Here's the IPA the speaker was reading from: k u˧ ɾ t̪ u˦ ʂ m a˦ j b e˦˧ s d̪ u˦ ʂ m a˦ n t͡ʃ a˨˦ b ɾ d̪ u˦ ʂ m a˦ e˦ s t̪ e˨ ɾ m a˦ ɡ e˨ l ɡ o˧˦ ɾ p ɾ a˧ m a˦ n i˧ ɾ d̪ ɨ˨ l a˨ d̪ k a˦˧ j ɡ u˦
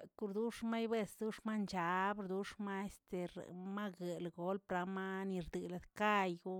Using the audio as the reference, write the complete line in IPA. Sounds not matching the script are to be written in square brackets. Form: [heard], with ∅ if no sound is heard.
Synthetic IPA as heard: k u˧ ɾ [d̪] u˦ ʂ m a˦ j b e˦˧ s d̪ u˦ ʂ m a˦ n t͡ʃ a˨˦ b ɾ d̪ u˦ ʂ m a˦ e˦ s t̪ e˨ ɾ m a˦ ɡ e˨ l ɡ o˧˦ [l] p ɾ a˧ m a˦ n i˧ ɾ d̪ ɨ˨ l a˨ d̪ k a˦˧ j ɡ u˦